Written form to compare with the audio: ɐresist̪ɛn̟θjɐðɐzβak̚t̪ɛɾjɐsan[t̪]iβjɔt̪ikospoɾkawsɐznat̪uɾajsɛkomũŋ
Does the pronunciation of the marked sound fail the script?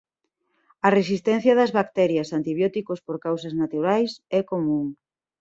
no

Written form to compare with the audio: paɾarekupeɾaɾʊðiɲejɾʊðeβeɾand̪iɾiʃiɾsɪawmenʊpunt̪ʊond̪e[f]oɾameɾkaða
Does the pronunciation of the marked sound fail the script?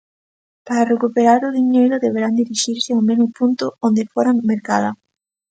no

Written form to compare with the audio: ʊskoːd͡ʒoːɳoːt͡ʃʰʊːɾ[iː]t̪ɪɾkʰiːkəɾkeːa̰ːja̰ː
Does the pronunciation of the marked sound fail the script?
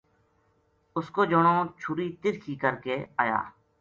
no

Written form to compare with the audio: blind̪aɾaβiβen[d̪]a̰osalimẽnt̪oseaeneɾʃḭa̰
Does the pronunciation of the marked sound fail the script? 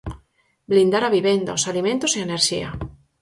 no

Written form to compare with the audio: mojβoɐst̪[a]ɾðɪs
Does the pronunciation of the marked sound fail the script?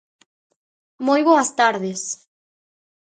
no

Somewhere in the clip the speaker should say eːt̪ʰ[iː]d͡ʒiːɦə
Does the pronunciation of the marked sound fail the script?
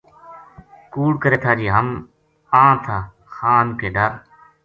yes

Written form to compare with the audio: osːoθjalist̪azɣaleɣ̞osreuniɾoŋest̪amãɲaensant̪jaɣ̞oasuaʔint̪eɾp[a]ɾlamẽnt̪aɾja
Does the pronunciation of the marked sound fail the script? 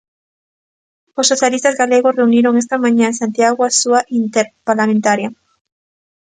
no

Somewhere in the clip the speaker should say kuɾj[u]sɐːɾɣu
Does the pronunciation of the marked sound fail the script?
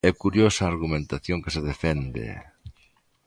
yes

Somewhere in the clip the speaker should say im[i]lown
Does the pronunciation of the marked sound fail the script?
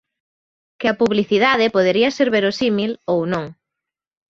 no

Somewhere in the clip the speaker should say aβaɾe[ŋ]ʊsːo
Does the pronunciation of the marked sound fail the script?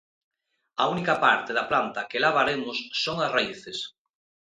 yes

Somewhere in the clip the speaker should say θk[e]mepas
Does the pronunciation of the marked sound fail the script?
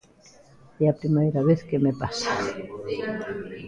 no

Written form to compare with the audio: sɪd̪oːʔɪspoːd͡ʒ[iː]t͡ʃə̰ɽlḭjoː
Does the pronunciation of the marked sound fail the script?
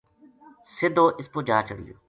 yes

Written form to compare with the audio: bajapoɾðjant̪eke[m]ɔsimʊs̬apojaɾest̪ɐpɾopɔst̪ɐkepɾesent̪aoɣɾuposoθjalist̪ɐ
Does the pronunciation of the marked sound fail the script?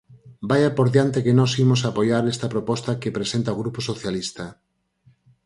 yes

